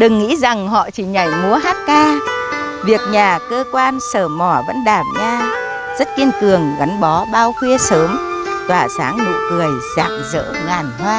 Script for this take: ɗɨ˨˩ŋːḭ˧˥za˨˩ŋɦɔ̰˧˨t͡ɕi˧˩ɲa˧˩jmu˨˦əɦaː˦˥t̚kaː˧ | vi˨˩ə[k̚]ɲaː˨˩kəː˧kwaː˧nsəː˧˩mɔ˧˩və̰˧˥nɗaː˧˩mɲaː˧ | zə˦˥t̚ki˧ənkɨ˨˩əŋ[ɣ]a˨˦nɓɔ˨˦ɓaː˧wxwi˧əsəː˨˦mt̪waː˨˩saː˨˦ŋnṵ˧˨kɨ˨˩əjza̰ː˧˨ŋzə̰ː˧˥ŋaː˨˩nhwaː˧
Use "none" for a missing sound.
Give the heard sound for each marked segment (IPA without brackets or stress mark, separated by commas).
k̚, ɣ